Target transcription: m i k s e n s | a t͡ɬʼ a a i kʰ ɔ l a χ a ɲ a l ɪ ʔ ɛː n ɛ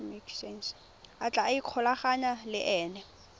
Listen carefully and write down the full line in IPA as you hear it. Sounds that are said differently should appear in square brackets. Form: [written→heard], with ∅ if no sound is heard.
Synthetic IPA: m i k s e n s | a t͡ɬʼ a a i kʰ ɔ l a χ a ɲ a l ɪ ʔ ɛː n ɛ